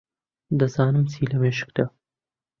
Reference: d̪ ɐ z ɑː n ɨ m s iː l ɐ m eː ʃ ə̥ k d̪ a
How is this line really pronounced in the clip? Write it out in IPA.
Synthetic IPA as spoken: d̪ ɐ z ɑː n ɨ m s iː l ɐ m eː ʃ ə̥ k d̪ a